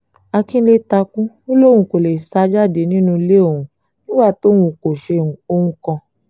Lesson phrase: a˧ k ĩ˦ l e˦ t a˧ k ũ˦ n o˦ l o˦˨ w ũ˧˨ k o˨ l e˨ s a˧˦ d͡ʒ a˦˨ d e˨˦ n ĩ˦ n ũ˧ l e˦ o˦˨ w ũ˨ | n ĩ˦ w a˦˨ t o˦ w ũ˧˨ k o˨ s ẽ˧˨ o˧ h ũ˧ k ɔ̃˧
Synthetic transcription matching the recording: a˧ k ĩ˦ l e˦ t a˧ k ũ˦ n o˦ l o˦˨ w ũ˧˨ k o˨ l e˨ s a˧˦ d͡ʒ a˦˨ d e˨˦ n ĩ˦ n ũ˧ l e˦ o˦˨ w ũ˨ | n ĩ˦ w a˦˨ t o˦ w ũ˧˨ k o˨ ʃ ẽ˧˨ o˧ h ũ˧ k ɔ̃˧